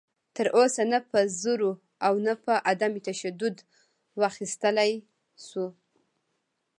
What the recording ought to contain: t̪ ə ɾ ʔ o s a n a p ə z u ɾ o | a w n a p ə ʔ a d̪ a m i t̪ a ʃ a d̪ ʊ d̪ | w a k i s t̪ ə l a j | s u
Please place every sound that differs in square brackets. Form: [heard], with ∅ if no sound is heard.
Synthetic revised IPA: t̪ ə ɾ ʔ o s a n a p ə z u ɾ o | a w n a p ə ʔ a d̪ a m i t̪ a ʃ a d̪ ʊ d̪ | w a [x] i s t̪ ə l a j | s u

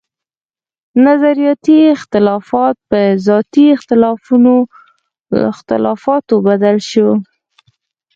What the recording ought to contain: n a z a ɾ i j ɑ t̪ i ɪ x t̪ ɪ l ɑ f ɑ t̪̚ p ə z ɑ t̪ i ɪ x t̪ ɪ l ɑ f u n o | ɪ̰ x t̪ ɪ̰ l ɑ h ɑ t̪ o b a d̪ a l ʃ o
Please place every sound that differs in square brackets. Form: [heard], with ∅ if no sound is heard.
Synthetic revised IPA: n a z a ɾ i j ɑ t̪ i ɪ x t̪ ɪ l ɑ f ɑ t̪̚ p ə z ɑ t̪ i ɪ x t̪ ɪ l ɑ f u n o | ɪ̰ x t̪ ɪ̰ l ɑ [f] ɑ t̪ o b a d̪ a l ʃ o

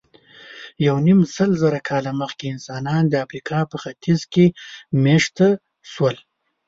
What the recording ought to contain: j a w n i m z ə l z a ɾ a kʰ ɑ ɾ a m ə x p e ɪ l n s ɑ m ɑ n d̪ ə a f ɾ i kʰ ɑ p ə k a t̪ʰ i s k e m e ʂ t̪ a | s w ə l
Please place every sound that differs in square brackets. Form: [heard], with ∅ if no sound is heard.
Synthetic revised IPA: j a w n i m [s] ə l z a ɾ a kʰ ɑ [l] a m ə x [k] e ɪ [∅] n s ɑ [n] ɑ n d̪ ə a f ɾ i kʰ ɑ p ə [x] a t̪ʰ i [z] k e m e ʂ t̪ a | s w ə l

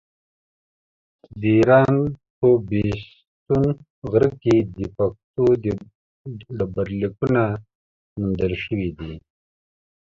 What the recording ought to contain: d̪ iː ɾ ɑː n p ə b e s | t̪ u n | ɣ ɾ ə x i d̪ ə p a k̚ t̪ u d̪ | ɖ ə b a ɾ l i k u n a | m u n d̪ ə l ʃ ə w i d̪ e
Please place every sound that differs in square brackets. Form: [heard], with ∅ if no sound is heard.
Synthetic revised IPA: d̪ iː ɾ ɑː n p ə b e s | t̪ u n | ɣ ɾ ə [k] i d̪ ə p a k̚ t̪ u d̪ | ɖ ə b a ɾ l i k u n a | m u n d̪ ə l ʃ ə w i d̪ [i]

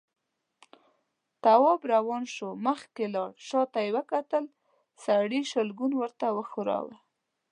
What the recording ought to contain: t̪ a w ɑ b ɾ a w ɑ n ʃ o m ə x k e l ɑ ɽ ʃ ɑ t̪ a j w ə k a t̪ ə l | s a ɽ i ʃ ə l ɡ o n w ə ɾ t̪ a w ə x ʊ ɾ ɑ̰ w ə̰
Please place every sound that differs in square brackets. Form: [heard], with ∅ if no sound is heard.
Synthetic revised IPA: t̪ a w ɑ b ɾ a w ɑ n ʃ o m ə x k e l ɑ ɽ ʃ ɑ t̪ a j w ə k a t̪ ə l | s a ɽ i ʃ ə l ɡ [u] n w ə ɾ t̪ a w ə x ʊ ɾ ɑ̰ w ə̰

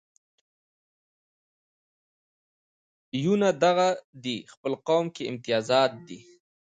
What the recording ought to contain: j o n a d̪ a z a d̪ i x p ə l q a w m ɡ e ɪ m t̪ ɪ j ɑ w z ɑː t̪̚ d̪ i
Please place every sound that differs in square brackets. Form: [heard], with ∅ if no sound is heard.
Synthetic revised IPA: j [u] n a d̪ a [ɣ] a d̪ i x p ə l q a w m [k] e ɪ m t̪ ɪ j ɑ [∅] z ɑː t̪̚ d̪ i

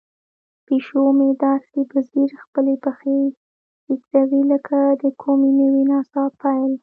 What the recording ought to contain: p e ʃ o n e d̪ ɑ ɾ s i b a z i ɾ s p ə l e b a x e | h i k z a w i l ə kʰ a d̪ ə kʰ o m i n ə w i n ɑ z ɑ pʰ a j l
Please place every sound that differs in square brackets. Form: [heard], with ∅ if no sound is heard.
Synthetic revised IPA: p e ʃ o [m] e d̪ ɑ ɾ s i b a z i ɾ [x] p ə l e b a x e | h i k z a w i l ə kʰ a d̪ ə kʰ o m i n ə w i n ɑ [s] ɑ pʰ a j l

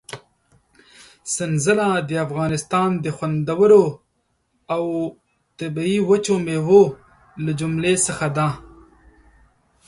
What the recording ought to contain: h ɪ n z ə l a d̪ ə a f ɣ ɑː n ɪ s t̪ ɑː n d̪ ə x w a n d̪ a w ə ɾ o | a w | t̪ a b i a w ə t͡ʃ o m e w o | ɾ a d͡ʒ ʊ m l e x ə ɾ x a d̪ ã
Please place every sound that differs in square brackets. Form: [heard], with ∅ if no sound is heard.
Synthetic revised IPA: [s] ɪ n z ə l a d̪ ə a f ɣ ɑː n ɪ s t̪ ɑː n d̪ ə x w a n d̪ a w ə ɾ o | a w | t̪ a b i [i] w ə t͡ʃ o m e w o | [l] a d͡ʒ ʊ m l e [s] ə [∅] x a d̪ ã

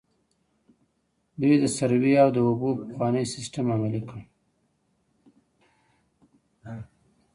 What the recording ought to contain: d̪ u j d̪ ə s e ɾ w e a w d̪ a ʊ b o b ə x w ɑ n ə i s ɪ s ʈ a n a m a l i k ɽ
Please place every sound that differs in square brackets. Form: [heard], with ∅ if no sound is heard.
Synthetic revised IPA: d̪ u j d̪ ə s [a] ɾ w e a w d̪ [ə] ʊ b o [p] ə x w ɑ n ə [j] s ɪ s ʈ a [m] a m a l i k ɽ

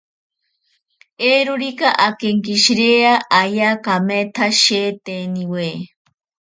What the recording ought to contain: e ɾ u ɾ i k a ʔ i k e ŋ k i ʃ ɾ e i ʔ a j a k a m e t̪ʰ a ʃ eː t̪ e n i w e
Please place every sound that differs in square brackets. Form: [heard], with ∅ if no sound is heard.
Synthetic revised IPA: e ɾ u ɾ i k a ʔ [a] k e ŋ k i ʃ ɾ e [a] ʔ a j a k a m e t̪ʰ a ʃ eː t̪ e n i w e

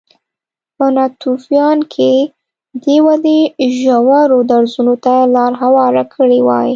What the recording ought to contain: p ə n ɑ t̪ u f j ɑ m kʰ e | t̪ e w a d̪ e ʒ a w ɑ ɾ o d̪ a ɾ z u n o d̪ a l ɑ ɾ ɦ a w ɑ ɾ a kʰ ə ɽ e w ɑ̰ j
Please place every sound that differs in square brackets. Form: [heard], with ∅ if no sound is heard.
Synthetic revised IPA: p ə n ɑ t̪ u f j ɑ [n] kʰ e | [d̪] e w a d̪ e ʒ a w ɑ ɾ o d̪ a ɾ z u n o [t̪] a l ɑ ɾ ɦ a w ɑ ɾ a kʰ ə ɽ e w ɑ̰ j

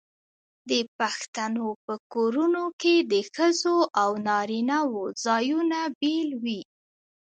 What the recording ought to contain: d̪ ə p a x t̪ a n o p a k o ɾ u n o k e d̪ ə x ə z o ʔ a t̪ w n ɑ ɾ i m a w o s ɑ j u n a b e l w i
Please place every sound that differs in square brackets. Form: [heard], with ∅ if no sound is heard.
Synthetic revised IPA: d̪ ə p a x t̪ a n o p [ə] k o ɾ u n o k e d̪ ə x ə z o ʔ a [∅] w n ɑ ɾ i [n] a w o [z] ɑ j u n a b e l w i

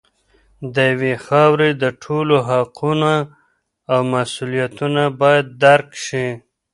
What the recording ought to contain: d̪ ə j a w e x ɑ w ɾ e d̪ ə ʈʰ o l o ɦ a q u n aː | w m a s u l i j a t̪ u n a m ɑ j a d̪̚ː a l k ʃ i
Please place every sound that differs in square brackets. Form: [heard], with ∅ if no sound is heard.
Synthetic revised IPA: d̪ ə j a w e x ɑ w ɾ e d̪ ə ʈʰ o l o ɦ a q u n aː | w m a s u l i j a t̪ u n a [b] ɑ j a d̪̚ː a [ɾ] k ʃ i

